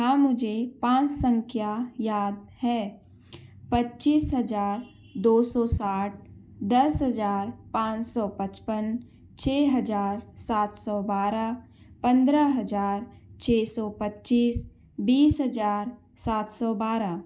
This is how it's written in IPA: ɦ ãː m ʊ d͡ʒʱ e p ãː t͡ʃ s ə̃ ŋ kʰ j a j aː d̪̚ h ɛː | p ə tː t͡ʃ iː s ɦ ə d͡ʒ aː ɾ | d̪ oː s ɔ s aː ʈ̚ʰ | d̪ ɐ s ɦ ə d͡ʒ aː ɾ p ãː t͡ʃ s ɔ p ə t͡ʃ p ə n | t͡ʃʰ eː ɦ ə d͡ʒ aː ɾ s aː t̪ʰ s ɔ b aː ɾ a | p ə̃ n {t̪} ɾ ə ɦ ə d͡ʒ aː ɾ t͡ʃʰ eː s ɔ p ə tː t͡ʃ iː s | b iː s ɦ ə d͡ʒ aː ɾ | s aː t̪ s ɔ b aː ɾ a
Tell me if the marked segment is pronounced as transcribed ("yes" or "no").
no